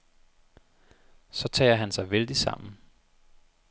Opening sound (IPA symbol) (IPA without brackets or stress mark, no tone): s